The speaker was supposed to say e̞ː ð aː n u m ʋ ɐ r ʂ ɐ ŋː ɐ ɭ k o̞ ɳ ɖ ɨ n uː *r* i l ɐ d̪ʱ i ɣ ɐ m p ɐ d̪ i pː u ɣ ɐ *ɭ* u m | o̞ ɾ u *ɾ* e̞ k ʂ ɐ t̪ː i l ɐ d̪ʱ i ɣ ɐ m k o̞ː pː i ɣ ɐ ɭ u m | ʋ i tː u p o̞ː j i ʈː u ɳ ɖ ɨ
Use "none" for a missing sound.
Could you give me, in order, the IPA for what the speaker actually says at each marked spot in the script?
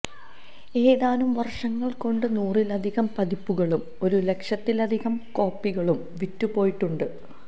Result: r, ɭ, l

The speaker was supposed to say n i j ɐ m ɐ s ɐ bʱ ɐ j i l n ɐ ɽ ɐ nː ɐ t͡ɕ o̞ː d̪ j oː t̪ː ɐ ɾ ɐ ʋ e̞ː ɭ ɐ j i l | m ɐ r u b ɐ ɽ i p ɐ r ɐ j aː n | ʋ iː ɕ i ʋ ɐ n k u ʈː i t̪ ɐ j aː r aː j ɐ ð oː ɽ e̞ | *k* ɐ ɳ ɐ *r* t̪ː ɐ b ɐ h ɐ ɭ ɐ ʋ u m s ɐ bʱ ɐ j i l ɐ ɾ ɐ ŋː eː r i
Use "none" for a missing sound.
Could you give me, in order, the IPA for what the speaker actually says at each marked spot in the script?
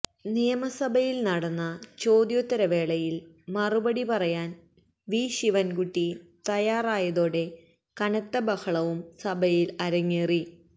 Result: k, none

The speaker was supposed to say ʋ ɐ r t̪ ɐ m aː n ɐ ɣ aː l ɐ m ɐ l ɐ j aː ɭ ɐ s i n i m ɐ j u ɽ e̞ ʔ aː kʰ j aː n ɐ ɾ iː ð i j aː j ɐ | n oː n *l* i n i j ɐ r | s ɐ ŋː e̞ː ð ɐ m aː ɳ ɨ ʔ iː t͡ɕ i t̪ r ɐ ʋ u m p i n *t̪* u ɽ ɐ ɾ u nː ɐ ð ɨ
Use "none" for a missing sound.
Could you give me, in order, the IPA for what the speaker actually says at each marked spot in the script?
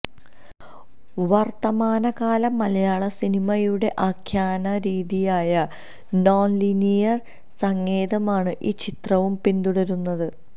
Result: l, d̪

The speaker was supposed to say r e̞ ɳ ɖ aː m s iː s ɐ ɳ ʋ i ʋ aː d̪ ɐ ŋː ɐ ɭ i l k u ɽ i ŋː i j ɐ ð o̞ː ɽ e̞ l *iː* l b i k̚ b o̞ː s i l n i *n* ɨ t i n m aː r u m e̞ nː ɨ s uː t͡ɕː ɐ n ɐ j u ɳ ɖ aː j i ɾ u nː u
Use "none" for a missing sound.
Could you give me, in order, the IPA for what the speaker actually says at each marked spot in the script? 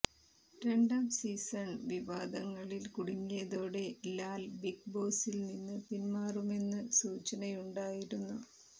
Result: aː, nː

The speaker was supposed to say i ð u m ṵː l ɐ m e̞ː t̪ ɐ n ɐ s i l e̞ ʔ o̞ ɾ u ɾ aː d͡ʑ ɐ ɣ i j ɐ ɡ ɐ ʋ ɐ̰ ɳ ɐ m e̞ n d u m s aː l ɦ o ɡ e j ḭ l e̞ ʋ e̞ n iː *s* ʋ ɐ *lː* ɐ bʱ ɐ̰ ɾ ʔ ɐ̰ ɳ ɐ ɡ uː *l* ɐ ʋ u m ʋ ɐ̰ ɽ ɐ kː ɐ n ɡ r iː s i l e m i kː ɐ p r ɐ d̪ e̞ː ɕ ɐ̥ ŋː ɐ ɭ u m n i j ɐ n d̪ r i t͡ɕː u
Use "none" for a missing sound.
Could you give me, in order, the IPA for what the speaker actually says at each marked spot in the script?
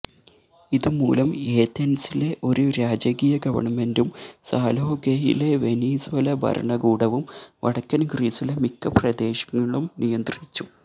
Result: s, l, ɽ

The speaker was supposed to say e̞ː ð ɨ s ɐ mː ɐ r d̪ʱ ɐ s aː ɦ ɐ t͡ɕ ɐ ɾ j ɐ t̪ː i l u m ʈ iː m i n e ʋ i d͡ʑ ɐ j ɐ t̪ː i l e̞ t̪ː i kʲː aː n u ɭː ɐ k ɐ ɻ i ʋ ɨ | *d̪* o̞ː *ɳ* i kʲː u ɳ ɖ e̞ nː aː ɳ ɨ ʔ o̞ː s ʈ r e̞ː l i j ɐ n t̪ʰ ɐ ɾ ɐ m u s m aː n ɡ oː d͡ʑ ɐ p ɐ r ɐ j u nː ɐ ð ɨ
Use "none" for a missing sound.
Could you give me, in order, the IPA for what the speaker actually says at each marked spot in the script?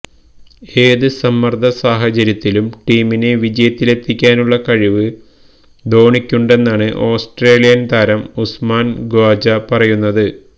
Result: d̪, ɳ

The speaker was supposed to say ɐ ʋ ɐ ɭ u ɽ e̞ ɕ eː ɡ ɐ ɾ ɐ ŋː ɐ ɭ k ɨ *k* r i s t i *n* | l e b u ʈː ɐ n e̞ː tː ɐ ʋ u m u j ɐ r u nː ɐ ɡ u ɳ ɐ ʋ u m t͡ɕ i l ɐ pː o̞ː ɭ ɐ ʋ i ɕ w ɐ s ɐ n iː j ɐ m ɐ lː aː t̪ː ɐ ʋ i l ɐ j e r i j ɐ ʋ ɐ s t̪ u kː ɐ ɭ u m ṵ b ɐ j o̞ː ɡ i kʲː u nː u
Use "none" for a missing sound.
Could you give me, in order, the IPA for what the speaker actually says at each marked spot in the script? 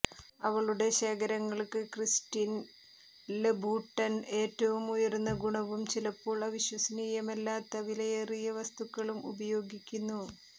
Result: k, n

